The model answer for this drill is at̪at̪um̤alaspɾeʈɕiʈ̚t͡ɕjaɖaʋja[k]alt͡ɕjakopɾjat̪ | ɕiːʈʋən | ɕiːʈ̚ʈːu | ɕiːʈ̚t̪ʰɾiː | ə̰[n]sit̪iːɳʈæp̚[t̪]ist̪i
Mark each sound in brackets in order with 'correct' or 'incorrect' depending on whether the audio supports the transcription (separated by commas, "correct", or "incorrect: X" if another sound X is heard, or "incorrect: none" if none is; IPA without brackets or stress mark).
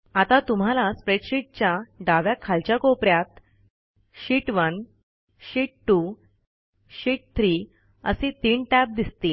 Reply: incorrect: kʰ, incorrect: none, incorrect: d̪